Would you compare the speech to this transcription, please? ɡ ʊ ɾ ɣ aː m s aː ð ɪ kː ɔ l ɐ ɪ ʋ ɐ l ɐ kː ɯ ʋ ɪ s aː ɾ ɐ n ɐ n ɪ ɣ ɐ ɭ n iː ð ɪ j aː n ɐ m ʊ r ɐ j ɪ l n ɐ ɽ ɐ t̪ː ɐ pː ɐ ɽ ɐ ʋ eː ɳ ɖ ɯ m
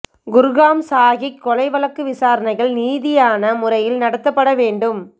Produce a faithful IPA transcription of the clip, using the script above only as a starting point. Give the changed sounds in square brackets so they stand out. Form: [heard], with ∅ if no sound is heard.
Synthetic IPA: ɡ ʊ ɾ ɣ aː m s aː [ɣ] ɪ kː ɔ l ɐ ɪ ʋ ɐ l ɐ kː ɯ ʋ ɪ s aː ɾ ɐ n ɐ [∅] ɪ ɣ ɐ ɭ n iː ð ɪ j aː n ɐ m ʊ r ɐ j ɪ l n ɐ ɽ ɐ t̪ː ɐ pː ɐ ɽ ɐ ʋ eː ɳ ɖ ɯ m